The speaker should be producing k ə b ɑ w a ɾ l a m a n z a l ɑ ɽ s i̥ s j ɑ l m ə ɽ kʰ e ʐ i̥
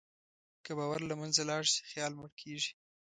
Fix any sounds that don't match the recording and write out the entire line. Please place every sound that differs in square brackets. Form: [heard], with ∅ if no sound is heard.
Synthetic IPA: k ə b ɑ w a ɾ l a m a n z a l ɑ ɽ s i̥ [x] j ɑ l m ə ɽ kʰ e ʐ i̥